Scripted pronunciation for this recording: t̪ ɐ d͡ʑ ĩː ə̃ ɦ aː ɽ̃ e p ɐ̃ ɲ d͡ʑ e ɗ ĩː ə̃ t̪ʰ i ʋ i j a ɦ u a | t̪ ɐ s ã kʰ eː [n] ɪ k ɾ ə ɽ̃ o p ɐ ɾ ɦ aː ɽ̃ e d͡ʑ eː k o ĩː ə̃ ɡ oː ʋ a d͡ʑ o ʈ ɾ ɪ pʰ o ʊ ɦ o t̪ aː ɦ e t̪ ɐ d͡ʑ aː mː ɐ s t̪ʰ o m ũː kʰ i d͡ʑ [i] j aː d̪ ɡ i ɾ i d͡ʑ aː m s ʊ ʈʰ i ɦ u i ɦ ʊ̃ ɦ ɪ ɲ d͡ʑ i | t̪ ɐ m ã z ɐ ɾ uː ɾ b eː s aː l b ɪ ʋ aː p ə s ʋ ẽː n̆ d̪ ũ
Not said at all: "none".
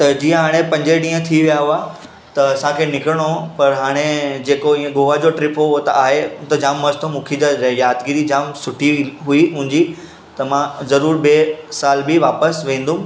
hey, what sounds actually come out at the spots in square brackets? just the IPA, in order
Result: n, a

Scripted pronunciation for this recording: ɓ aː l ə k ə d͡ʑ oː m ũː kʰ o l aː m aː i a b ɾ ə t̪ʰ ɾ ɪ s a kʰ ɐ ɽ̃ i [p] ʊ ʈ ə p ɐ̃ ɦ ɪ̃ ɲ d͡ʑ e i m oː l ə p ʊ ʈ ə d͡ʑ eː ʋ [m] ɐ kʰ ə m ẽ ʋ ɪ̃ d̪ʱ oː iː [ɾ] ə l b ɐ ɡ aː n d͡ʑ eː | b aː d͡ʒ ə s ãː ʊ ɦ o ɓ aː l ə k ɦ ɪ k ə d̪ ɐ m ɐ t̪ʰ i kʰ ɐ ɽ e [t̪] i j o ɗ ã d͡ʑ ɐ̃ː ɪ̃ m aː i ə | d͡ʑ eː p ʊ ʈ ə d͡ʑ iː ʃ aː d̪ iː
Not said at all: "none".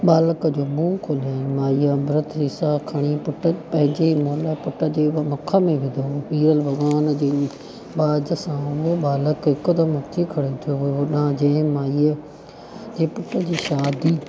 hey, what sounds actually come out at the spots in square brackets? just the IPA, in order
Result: p, m, ɾ, t̪ʰ

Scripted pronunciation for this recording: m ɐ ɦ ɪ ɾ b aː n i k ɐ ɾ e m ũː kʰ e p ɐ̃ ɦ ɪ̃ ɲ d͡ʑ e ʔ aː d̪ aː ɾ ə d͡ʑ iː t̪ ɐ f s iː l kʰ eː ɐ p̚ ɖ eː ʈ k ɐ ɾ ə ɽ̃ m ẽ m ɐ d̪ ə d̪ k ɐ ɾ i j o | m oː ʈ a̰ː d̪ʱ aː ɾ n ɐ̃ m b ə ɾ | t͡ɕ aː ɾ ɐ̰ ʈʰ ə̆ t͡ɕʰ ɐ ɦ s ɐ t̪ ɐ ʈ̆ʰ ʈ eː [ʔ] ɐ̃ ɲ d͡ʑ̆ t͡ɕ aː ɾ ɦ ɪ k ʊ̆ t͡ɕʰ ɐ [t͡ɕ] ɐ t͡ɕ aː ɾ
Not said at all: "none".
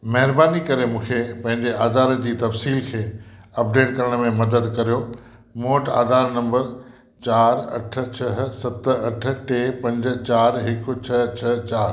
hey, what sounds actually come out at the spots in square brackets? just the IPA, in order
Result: p, t͡ɕʰ

